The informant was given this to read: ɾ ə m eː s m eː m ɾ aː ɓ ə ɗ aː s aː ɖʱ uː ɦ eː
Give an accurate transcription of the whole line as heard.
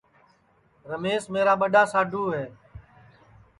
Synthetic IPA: ɾ ə m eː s m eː ɾ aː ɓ ə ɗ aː s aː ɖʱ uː ɦ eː